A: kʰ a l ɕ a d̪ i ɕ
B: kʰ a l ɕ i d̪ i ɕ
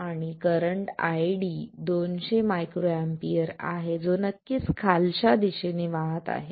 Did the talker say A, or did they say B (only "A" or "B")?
A